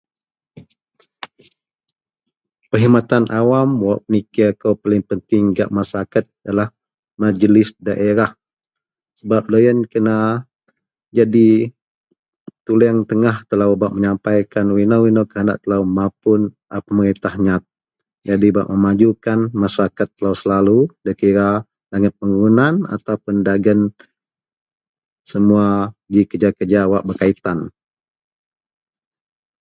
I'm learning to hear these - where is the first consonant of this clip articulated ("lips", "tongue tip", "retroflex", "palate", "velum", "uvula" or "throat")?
lips